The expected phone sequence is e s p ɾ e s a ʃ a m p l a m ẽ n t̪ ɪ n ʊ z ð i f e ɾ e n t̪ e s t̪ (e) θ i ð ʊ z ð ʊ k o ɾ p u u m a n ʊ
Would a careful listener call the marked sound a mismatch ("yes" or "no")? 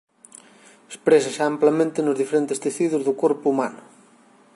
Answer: no